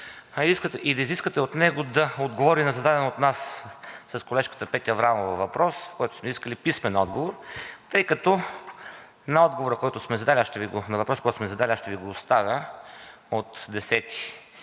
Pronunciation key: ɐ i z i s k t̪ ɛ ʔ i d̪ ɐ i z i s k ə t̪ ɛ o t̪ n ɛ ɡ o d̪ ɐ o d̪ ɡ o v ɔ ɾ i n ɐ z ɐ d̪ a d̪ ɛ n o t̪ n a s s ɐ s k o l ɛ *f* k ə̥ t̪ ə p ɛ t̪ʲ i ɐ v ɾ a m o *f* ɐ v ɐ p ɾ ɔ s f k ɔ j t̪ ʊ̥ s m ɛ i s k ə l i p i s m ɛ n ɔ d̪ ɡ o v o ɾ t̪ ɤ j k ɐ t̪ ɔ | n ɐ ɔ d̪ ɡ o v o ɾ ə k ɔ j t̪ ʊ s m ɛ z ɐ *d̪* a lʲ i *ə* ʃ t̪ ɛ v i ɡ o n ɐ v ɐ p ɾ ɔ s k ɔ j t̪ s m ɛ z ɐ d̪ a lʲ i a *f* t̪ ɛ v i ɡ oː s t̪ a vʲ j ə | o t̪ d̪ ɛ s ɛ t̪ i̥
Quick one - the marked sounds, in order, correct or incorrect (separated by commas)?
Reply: incorrect, incorrect, correct, incorrect, incorrect